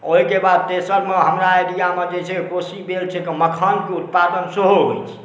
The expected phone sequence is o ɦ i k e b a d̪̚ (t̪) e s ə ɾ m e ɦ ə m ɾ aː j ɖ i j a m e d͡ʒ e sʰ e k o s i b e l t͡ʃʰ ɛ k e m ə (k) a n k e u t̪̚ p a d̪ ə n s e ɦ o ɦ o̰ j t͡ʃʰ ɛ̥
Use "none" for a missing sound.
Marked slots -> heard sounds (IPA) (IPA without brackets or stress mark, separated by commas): t̪, kʰ